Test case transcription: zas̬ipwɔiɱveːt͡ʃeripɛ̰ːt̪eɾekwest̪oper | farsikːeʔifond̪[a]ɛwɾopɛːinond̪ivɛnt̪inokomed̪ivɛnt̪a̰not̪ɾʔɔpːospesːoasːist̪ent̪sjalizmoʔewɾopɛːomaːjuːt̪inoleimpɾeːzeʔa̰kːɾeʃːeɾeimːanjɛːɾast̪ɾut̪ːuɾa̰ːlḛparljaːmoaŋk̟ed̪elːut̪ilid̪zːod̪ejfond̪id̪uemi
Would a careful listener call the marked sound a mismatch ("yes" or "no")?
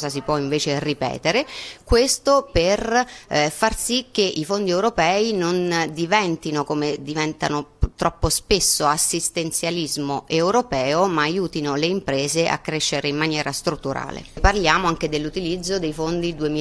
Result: yes